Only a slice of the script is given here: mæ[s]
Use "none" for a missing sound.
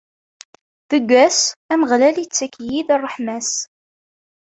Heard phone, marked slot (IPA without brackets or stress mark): s